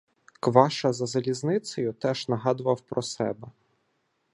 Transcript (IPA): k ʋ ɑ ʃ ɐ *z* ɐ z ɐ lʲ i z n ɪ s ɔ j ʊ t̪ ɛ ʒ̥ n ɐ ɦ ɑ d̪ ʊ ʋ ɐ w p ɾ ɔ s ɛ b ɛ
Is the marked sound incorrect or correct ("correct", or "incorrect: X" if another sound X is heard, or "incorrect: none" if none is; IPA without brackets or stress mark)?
correct